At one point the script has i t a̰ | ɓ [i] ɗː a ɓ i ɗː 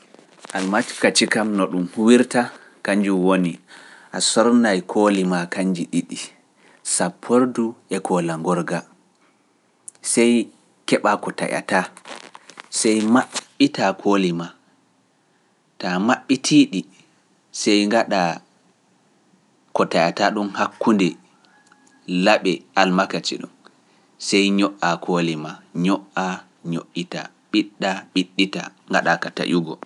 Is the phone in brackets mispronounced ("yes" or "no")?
no